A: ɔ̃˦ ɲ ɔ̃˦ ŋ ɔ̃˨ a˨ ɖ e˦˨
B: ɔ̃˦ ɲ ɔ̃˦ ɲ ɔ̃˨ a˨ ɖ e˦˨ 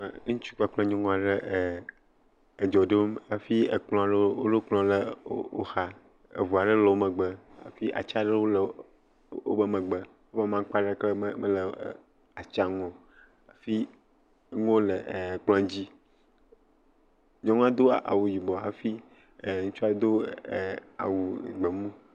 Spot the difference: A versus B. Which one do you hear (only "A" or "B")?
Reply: A